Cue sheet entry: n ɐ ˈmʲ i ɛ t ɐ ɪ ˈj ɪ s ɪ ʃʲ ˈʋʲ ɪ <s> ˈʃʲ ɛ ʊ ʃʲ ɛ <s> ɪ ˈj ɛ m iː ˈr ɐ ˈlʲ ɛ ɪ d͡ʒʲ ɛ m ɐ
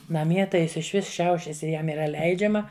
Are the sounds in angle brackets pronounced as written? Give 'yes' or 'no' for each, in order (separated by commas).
yes, yes